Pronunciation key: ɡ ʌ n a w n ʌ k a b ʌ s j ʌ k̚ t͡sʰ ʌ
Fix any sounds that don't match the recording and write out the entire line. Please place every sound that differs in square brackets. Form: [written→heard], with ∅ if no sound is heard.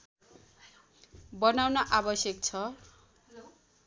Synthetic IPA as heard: [ɡ→b] ʌ n a w n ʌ [k→ʔ] a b ʌ s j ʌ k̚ t͡sʰ ʌ